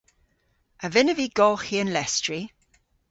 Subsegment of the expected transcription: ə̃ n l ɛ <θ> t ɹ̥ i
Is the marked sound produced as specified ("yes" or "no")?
no